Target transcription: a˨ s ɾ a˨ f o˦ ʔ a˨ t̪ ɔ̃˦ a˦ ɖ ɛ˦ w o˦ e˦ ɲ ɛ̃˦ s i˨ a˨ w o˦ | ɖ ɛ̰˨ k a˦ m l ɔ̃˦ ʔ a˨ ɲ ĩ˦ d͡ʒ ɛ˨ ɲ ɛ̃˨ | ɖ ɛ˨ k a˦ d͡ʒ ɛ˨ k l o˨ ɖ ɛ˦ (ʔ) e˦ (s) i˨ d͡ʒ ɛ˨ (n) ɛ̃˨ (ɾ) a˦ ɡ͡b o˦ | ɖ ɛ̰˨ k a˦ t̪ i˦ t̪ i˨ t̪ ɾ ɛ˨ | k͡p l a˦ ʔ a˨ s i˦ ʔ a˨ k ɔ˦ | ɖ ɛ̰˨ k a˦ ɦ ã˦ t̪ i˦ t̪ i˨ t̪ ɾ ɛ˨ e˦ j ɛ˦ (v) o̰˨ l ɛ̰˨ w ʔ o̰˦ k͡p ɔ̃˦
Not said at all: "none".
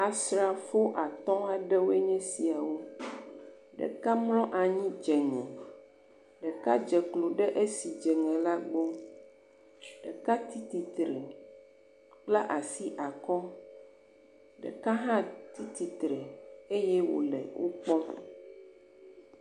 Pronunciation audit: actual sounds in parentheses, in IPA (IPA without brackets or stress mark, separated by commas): ʔ, s, ŋ, l, w